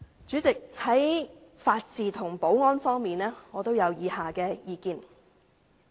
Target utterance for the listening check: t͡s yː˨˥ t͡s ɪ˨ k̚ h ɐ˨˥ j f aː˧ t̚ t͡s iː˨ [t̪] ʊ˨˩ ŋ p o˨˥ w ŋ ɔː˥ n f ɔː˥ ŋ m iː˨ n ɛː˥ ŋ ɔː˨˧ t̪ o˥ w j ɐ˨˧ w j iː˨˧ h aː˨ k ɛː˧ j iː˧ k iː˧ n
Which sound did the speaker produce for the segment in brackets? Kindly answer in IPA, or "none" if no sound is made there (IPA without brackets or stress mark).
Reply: t̪ʰ